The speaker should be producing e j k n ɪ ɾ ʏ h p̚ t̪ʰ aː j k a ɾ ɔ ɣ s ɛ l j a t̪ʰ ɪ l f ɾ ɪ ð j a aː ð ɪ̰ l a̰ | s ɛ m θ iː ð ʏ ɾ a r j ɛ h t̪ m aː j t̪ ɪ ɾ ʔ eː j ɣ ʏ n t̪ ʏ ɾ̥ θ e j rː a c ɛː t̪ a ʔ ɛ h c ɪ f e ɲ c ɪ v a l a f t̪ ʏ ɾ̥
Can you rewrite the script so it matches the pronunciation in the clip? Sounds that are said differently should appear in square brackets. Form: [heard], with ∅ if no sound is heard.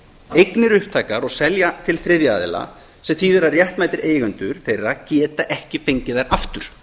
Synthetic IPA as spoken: e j k n ɪ ɾ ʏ h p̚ t̪ʰ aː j k a ɾ ɔ ɣ s ɛ l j a t̪ʰ ɪ l [θ] ɾ ɪ ð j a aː ð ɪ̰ l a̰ | s ɛ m θ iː ð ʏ ɾ a r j ɛ h t̪ m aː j t̪ ɪ ɾ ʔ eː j ɣ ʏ n t̪ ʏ ɾ̥ θ e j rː a c ɛː t̪ a ʔ ɛ h c ɪ f e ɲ c ɪ [ð] a [ɾ] a f t̪ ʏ ɾ̥